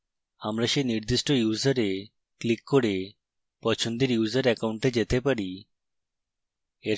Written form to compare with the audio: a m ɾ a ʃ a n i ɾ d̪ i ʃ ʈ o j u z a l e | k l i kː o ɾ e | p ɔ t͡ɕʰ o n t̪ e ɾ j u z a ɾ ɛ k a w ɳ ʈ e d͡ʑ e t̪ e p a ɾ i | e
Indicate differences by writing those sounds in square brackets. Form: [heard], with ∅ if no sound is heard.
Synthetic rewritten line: a m ɾ a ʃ [e] n i ɾ d̪ i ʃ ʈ o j u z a [ɾ] e | k l i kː o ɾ e | p ɔ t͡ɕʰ o n [d̪] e ɾ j u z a ɾ ɛ k a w ɳ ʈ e d͡ʑ e t̪ e p a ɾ i | e